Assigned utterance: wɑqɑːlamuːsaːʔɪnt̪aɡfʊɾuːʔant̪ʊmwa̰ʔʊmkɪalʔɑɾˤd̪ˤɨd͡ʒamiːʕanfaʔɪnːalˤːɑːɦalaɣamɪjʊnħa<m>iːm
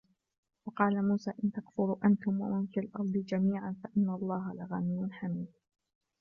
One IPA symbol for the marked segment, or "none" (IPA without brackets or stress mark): m